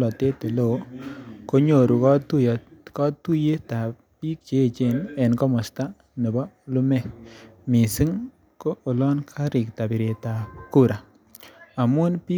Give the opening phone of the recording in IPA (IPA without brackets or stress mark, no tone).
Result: l